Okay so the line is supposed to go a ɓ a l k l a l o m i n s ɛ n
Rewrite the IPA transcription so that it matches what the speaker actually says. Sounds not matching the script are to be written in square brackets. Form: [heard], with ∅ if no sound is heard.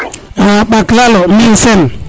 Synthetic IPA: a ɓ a [∅] k l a l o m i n s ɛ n